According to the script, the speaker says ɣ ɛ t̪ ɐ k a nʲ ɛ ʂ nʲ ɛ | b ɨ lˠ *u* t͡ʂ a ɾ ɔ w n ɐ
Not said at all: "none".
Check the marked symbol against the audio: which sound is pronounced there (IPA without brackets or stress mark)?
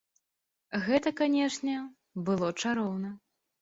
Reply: ɔ